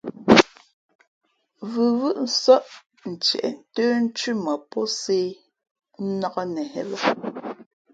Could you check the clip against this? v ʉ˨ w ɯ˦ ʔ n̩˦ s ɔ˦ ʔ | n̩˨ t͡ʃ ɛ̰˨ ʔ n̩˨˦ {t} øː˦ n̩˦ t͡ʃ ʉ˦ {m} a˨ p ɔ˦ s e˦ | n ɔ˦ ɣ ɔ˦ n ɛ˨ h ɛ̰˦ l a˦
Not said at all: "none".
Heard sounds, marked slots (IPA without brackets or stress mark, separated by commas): t, m